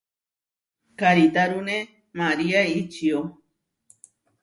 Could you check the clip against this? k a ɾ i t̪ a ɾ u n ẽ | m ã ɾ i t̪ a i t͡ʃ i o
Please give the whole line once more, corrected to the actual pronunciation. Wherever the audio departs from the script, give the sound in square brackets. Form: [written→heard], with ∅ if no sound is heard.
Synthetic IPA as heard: k a ɾ i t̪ a ɾ u n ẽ | m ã ɾ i [t̪→∅] a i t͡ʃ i o